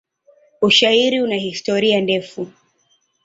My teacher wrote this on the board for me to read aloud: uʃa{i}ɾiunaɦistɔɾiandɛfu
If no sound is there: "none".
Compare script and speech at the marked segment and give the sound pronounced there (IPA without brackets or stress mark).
i